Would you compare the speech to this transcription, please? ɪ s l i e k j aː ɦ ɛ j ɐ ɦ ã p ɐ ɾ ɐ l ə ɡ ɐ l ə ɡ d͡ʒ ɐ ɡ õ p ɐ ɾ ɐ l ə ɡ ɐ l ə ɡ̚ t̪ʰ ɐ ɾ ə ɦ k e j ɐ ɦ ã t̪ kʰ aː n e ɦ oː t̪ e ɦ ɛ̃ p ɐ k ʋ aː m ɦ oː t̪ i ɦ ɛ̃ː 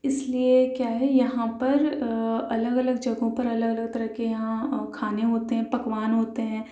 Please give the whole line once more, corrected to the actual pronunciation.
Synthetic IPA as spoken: ɪ s l i e k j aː ɦ ɛ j ɐ ɦ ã p ɐ ɾ ɐ l ə ɡ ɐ l ə ɡ d͡ʒ ɐ ɡ õ p ɐ ɾ ɐ l ə ɡ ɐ l ə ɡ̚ t̪ ɐ ɾ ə ɦ k e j ɐ ɦ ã kʰ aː n e ɦ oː t̪ e ɦ ɛ̃ p ɐ k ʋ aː n ɦ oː t̪ e ɦ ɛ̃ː